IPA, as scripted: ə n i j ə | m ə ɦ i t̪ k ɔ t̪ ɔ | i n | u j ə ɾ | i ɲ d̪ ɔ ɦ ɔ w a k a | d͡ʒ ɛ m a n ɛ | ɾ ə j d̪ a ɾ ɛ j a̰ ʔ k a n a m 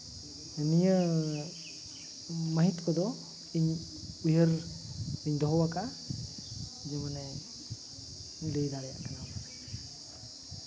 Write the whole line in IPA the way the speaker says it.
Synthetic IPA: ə n i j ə | m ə ɦ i t̪ k ɔ d̪ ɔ | i ɲ | u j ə ɾ | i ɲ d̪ ɔ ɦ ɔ w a k a | d͡ʒ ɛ m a n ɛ | l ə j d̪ a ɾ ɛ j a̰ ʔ k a n a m

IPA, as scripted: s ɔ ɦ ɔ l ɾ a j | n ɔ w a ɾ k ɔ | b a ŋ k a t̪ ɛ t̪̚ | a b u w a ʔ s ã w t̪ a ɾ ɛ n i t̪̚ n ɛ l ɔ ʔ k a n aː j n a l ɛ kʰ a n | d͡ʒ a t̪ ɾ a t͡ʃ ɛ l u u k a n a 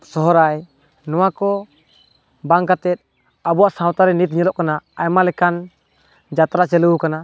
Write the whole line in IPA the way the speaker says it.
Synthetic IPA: s ɔ ɦ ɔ ɾ a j | n ɔ w a k ɔ | b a ŋ k a t̪ ɛ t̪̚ | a b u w a ʔ s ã w t̪ a ɾ ɛ n i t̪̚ ɲ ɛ l ɔ ʔ k a n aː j m a l ɛ k a n | d͡ʒ a t̪ ɾ a t͡ʃ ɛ l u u k a n a

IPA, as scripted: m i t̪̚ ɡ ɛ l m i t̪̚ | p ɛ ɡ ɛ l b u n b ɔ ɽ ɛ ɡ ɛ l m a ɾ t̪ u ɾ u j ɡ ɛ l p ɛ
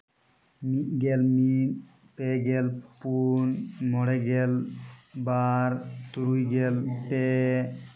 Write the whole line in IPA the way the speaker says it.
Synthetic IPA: m i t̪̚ ɡ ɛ l m i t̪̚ | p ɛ ɡ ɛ l p u n m ɔ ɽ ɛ ɡ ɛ l b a ɾ t̪ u ɾ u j ɡ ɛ l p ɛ

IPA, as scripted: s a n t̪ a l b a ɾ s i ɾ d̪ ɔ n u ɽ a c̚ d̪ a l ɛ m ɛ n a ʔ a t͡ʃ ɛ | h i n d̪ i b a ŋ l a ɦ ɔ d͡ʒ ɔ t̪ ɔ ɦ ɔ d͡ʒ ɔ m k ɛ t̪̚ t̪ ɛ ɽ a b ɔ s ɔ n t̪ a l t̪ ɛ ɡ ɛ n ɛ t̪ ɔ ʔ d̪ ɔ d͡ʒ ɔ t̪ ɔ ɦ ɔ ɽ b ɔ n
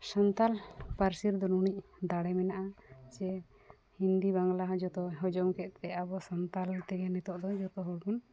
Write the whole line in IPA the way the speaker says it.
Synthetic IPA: s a n t̪ a l p a ɾ s i ɾ d̪ ɔ n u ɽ i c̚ d̪ a ɽ ɛ m ɛ n a ʔ a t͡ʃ ɛ | h i n d̪ i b a ŋ l a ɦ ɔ d͡ʒ ɔ t̪ ɔ ɦ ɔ d͡ʒ ɔ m k ɛ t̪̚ t̪ ɛ a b ɔ s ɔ n t̪ a l t̪ ɛ ɡ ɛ n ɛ t̪ ɔ ʔ d̪ ɔ d͡ʒ ɔ t̪ ɔ ɦ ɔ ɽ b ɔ n

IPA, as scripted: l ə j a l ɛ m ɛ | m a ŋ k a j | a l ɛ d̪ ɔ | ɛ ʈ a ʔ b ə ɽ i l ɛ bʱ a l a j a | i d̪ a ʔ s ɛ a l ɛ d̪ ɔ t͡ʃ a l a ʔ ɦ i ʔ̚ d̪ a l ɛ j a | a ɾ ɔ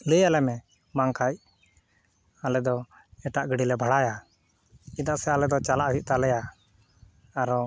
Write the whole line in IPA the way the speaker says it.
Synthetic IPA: l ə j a l ɛ m ɛ | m a ŋ k a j | a l ɛ d̪ ɔ | ɛ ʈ a ʔ ɡ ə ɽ i l ɛ bʱ a ɽ a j a | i d̪ a ʔ s ɛ a l ɛ d̪ ɔ t͡ʃ a l a ʔ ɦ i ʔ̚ t̪ a l ɛ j a | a ɾ ɔ

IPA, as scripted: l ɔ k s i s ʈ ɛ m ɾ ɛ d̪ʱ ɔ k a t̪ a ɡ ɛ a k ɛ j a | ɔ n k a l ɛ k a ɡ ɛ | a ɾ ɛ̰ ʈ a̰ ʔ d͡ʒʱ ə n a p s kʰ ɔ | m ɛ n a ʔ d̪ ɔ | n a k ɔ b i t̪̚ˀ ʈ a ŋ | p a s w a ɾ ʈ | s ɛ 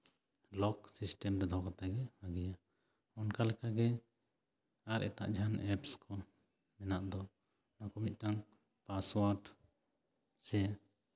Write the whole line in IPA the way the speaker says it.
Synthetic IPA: l ɔ k s i s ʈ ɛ m ɾ ɛ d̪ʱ ɔ k a t̪ a ɡ ɛ a ɡ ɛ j a | ɔ n k a l ɛ k a ɡ ɛ | a ɾ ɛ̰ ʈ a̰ ʔ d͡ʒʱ a n ɛ p s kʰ ɔ | m ɛ n a ʔ d̪ ɔ | n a k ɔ m i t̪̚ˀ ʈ a ŋ | p a s w a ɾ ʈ | s ɛ

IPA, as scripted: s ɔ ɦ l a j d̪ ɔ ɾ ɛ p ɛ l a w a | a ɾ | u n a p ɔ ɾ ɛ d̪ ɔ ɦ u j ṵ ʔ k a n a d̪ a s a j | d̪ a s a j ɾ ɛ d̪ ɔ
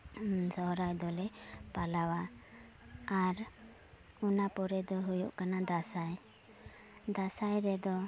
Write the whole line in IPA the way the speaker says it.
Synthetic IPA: s ɔ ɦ ɾ a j d̪ ɔ l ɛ p a l a w a | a ɾ | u n a p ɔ ɾ ɛ d̪ ɔ ɦ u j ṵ ʔ k a n a d̪ a s a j | d̪ a s a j ɾ ɛ d̪ ɔ

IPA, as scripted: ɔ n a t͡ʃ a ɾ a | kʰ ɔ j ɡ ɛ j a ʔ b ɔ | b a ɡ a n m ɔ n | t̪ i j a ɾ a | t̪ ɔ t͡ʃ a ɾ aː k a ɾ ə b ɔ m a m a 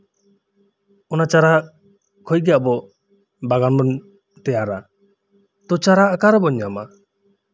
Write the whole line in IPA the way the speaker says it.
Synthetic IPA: ɔ n a t͡ʃ a ɾ a | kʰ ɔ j ɡ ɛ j a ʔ b ɔ | b a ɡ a n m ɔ n | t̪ ɛ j a ɾ a | t̪ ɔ t͡ʃ a ɾ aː k a ɾ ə b ɔ ɲ a m a

